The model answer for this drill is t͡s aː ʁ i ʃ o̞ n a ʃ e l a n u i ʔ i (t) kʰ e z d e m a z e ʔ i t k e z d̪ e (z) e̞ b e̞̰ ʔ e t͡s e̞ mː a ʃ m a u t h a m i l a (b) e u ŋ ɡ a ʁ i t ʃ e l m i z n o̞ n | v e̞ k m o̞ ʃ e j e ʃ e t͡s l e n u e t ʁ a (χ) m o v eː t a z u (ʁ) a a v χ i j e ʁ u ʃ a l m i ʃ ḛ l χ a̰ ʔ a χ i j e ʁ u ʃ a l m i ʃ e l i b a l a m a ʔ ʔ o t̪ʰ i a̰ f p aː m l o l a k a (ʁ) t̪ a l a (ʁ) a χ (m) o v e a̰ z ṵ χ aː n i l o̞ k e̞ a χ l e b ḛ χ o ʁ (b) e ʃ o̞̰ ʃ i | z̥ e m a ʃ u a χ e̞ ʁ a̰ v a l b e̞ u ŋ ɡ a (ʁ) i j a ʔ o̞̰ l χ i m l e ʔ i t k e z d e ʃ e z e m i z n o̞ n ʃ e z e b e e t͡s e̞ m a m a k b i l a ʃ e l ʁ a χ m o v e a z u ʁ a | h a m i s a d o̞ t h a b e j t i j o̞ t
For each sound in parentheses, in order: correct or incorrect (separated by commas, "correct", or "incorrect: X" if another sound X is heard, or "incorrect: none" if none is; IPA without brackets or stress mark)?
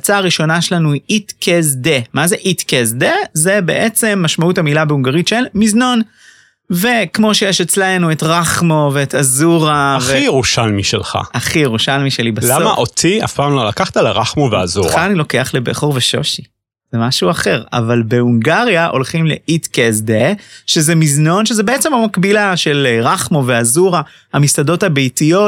correct, correct, correct, correct, correct, incorrect: χ, correct, correct, incorrect: v, correct